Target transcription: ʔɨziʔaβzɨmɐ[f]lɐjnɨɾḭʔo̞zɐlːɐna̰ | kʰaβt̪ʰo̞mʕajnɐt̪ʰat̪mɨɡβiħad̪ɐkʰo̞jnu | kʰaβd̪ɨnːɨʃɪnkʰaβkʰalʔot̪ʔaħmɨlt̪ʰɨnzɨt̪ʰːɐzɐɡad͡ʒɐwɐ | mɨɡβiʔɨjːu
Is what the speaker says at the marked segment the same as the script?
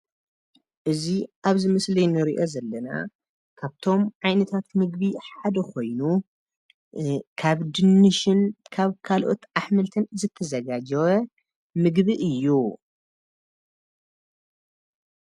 no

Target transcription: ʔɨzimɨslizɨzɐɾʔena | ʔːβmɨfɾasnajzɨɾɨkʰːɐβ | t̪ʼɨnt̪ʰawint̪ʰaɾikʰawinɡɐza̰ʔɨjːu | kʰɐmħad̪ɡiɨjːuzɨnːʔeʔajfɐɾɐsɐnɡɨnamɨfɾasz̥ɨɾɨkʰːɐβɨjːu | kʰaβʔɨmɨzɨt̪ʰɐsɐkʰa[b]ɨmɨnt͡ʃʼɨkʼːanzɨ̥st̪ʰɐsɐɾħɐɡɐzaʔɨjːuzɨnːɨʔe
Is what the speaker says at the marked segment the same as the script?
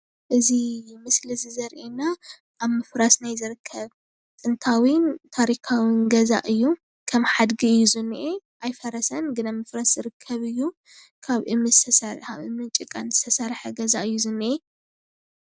no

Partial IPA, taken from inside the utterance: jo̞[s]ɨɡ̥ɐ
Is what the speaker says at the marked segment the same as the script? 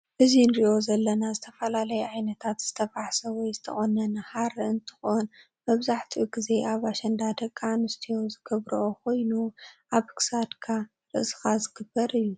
no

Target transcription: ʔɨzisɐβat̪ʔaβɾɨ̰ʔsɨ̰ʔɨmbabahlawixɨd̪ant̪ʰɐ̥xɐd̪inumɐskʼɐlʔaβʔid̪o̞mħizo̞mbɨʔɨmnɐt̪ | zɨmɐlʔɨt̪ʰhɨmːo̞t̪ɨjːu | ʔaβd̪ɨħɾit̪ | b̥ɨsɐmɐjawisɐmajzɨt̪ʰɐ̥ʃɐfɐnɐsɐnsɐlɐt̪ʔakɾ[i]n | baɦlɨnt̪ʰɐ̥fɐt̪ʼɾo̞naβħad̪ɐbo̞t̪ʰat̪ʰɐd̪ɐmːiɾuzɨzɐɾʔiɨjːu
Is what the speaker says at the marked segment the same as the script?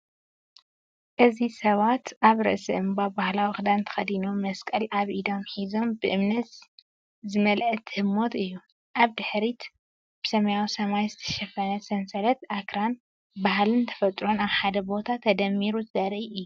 no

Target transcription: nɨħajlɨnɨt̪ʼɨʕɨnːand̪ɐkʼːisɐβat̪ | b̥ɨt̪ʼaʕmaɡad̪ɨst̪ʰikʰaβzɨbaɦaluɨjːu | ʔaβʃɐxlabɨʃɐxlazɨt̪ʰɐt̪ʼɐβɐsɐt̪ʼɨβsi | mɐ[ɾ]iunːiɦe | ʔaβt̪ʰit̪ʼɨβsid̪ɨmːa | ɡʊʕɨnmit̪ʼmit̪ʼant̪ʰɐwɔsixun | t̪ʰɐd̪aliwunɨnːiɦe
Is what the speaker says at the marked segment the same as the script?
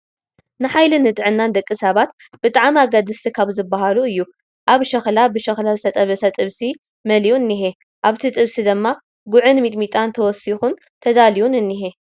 no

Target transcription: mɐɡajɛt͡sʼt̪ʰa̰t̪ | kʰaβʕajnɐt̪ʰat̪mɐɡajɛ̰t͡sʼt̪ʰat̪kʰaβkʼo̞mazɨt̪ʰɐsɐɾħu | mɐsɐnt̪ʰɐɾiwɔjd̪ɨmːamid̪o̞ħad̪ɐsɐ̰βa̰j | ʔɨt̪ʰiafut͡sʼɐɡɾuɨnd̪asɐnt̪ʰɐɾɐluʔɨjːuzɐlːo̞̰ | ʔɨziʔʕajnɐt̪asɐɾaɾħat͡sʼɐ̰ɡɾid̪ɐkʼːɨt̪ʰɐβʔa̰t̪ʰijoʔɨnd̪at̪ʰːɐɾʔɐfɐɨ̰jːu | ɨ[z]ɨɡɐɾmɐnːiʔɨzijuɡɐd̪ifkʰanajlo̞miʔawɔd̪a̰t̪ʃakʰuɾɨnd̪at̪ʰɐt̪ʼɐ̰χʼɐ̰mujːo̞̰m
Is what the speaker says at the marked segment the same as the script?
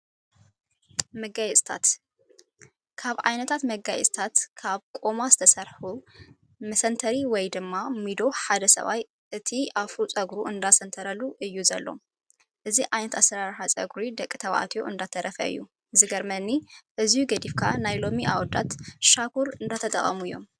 yes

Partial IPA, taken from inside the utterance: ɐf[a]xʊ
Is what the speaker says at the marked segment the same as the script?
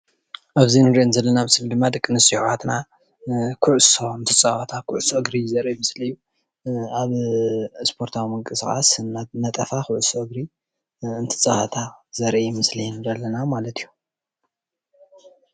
yes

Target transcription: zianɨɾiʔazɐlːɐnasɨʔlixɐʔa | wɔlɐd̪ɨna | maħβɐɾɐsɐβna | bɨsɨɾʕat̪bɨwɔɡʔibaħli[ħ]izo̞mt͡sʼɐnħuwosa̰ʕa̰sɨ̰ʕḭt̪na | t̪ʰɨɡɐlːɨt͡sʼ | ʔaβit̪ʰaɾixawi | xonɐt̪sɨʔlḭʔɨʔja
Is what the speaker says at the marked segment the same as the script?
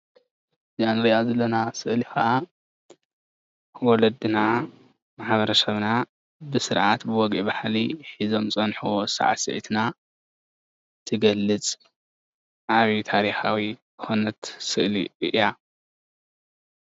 yes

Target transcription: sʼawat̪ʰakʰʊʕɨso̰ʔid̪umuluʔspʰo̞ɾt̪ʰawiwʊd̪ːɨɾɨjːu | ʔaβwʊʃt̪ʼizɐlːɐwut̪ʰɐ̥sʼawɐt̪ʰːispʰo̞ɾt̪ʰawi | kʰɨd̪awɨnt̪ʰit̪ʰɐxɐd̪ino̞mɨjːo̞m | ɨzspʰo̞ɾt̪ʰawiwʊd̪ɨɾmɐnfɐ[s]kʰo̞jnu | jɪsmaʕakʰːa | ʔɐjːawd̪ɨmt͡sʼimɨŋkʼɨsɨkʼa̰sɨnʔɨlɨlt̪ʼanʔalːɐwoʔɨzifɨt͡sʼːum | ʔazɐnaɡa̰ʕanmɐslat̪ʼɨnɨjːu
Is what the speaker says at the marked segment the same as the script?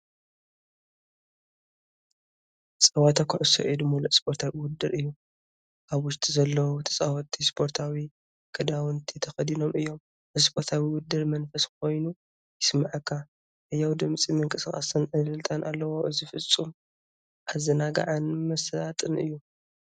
yes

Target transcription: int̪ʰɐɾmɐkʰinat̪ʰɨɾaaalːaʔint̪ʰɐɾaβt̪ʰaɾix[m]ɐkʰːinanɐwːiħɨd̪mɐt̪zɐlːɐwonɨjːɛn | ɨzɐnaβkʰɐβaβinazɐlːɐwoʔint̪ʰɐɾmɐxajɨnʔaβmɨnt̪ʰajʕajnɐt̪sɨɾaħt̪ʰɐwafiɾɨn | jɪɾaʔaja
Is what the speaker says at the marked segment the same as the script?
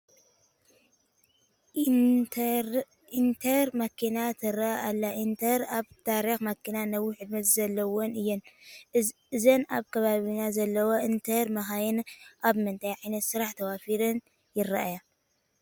yes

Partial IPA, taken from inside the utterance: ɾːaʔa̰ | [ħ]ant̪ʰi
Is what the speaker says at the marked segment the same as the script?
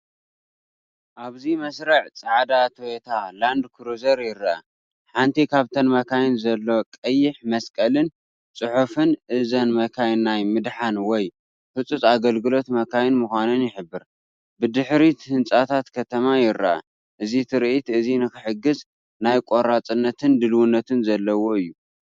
yes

